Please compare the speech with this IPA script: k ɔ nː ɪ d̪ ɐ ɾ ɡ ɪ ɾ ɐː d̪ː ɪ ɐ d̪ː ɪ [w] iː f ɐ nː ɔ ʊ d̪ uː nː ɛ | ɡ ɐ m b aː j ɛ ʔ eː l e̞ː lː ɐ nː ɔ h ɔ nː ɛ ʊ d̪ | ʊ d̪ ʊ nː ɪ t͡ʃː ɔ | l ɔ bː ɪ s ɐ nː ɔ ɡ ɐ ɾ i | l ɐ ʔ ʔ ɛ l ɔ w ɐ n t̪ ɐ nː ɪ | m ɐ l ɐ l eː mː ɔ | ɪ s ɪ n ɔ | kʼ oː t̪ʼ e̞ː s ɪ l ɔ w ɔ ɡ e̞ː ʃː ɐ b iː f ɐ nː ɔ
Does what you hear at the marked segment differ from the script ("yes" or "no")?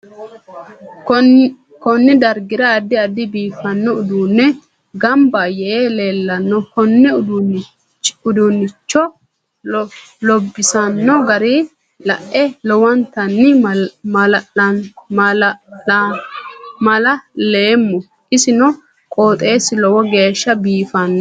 yes